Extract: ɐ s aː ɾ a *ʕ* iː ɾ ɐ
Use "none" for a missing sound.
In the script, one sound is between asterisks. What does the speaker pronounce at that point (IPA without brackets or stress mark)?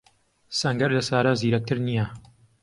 z